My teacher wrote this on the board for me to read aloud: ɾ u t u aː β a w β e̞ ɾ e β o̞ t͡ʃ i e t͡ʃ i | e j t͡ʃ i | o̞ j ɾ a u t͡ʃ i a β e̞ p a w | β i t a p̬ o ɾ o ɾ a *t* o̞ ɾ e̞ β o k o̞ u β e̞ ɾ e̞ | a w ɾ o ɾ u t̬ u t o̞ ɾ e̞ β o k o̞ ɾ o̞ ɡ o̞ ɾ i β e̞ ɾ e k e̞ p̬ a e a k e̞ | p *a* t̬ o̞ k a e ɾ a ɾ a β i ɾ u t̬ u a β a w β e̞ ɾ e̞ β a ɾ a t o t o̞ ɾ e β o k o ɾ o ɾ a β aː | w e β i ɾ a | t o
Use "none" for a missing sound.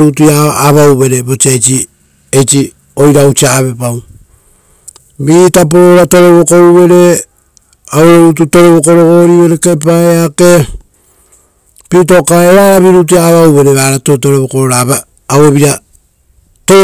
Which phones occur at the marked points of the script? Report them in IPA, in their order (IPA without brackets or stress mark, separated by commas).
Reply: t, i